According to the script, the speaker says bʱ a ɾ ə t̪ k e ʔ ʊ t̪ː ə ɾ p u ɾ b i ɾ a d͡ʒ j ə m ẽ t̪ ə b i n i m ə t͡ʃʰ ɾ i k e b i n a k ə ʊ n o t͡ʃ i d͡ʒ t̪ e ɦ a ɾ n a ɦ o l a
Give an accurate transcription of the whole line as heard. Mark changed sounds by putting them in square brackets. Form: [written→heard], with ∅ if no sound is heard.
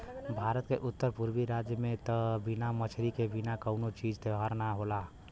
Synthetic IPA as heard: bʱ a ɾ ə t̪ k e ʔ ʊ t̪ː ə ɾ p u ɾ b i ɾ a d͡ʒ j ə m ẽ t̪ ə b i n [i→a] m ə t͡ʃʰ ɾ i k e b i n a k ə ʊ n o t͡ʃ i d͡ʒ t̪ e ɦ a ɾ n a ɦ o l a